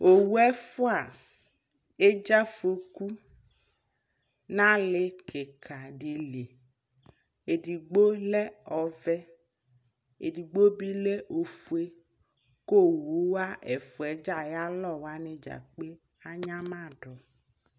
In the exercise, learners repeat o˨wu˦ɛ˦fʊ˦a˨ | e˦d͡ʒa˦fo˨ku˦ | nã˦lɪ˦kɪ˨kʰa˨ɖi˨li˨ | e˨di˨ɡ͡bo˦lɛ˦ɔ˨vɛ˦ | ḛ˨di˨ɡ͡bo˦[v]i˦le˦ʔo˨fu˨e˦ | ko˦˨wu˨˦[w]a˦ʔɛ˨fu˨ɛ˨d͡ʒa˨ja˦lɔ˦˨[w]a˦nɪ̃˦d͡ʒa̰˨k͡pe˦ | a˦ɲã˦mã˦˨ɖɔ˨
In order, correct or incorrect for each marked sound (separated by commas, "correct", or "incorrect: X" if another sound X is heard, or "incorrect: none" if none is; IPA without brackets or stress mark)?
incorrect: b, correct, correct